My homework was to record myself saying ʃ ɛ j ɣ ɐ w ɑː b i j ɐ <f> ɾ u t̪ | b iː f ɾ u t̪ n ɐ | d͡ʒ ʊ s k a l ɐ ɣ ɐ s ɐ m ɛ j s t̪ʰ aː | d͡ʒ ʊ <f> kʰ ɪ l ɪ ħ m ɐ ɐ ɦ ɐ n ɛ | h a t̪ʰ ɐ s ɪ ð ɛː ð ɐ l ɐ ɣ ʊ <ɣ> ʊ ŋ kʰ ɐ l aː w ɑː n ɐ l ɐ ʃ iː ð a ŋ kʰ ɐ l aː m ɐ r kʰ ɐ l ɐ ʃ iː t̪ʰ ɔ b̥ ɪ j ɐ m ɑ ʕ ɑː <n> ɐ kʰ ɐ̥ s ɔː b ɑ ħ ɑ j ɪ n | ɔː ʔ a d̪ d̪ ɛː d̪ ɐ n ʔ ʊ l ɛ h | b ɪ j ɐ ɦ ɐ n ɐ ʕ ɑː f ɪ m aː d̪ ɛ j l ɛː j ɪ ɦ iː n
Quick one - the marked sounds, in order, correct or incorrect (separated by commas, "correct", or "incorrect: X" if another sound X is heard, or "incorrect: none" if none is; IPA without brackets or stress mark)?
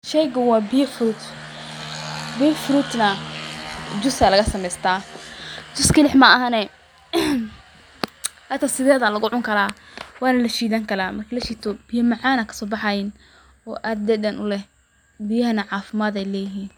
correct, incorrect: s, incorrect: ʕ, correct